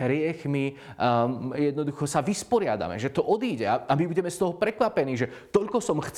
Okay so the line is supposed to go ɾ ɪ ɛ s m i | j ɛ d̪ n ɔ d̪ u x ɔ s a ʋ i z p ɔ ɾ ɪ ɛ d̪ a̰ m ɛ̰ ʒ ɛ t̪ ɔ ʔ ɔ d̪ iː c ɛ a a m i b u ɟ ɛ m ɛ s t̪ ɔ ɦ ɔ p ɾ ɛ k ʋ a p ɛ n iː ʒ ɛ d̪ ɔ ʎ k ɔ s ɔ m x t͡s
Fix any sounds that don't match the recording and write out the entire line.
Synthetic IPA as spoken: ɾ ɪ ɛ x m i | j ɛ d̪ n ɔ d̪ u x ɔ s a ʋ i s p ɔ ɾ ɪ a d̪ a̰ m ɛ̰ ʒ ɛ t̪ ɔ ʔ ɔ d̪ iː ɟ ɛ a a m i b u ɟ ɛ m ɛ s t̪ ɔ ɦ ɔ p ɾ ɛ k ʋ a p ɛ n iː ʒ ɛ t̪ ɔ ʎ k ɔ s ɔ m x t͡s